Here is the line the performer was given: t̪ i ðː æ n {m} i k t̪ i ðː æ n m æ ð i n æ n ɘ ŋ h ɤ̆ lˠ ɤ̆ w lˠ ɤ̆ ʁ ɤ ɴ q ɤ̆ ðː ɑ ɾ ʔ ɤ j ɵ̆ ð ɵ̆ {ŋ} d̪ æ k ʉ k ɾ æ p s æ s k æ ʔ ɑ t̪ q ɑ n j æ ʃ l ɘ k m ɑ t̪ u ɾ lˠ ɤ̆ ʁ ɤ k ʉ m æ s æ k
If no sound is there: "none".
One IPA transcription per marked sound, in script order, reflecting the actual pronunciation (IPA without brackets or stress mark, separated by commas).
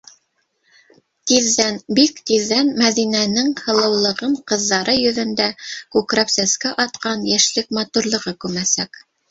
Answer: b, n